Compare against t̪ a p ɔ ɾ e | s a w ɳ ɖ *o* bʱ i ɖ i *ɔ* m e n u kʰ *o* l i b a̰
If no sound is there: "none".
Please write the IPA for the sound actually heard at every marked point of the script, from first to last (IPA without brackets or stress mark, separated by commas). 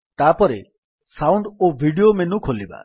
o, o, o